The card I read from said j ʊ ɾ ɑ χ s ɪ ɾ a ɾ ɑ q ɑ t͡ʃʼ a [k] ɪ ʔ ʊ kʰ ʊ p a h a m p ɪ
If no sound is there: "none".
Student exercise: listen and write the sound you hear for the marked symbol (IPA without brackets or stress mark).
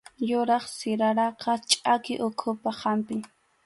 k